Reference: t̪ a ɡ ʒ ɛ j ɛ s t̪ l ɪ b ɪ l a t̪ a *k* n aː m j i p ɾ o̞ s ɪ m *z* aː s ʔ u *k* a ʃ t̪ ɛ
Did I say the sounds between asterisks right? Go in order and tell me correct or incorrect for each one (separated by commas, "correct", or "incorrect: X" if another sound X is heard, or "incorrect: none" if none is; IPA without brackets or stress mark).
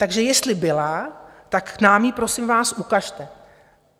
correct, incorrect: v, correct